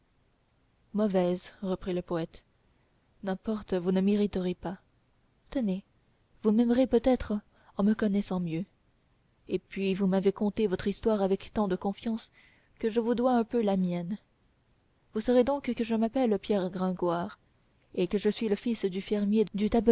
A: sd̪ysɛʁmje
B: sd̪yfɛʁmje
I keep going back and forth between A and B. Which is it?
B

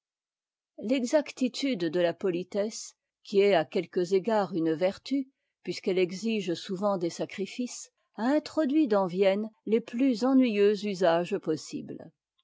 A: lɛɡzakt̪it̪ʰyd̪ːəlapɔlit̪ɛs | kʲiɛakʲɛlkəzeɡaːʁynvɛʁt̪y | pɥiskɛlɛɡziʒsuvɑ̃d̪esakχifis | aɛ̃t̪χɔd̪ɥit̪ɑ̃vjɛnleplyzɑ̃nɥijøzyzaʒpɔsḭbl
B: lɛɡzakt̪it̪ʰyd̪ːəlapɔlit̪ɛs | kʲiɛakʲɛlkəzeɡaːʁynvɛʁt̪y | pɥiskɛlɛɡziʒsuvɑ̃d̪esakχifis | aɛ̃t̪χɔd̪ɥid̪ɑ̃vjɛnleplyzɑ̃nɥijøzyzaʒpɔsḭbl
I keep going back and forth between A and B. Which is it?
B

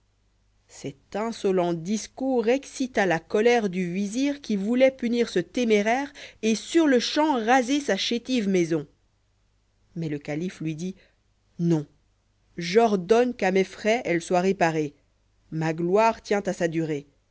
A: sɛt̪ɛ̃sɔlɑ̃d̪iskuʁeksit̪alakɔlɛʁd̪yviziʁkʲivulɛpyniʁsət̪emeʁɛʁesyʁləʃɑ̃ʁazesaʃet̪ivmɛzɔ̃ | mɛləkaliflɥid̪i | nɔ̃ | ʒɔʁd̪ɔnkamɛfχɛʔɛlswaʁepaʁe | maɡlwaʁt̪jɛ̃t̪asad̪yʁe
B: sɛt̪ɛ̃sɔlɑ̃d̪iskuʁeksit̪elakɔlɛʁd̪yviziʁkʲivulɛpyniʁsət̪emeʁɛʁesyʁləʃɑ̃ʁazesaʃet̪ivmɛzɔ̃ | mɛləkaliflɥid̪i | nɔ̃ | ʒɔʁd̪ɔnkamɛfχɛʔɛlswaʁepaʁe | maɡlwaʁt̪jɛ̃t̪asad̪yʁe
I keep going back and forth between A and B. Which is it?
A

